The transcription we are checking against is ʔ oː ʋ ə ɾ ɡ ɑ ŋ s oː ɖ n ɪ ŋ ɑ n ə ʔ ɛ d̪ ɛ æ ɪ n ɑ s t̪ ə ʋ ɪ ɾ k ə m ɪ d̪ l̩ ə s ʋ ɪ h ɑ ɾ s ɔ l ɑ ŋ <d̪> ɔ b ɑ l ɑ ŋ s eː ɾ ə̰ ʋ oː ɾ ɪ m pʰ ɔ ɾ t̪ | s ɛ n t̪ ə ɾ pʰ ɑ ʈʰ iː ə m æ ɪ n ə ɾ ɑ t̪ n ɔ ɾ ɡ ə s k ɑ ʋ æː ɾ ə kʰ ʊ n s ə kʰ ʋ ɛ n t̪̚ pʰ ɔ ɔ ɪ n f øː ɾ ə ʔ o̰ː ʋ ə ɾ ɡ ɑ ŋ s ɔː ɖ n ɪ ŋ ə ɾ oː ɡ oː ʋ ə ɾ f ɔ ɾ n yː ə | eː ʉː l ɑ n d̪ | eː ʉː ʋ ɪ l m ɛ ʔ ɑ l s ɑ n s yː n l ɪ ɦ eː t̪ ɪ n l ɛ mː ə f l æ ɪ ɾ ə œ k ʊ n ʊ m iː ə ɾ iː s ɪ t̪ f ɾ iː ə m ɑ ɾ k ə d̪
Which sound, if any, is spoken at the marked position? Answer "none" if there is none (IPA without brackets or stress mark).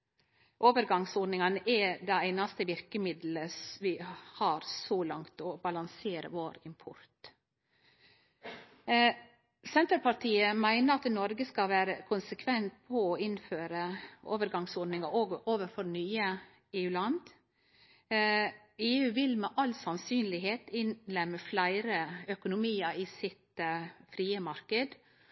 t̪